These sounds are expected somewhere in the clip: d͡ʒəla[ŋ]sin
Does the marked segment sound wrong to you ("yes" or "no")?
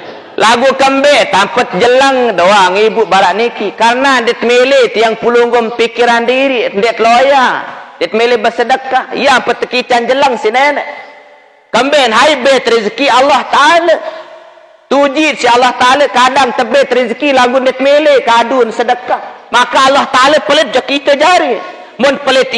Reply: no